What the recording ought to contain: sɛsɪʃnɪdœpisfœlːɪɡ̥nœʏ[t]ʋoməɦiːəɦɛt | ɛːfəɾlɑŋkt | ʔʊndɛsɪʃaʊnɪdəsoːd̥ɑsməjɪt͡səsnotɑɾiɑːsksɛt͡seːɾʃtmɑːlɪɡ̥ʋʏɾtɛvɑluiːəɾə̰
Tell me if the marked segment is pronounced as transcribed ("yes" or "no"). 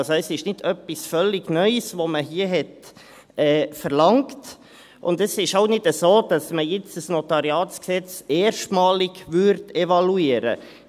no